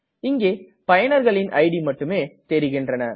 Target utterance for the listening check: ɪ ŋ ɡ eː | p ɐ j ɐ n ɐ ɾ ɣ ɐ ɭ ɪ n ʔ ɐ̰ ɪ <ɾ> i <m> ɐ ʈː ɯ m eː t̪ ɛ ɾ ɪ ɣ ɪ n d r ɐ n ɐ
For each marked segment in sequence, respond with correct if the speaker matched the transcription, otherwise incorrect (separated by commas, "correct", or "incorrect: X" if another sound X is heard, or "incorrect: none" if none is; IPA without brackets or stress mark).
incorrect: ɽ, correct